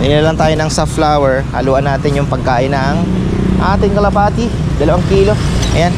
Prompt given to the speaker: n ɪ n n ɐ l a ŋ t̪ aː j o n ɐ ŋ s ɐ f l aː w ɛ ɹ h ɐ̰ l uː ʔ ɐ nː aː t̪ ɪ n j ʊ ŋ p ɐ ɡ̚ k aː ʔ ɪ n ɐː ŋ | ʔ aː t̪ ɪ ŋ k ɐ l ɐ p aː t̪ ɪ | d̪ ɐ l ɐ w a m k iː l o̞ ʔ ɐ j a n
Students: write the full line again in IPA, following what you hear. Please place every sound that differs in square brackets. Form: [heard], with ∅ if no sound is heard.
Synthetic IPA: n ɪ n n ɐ l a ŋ t̪ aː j o n ɐ ŋ s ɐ f l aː w ɛ ɹ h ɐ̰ l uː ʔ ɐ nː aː t̪ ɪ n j ʊ ŋ p ɐ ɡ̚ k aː ʔ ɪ n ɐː ŋ | ʔ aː t̪ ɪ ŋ k ɐ l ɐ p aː t̪ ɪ | d̪ ɐ l ɐ w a [ŋ] k iː l o̞ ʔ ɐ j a n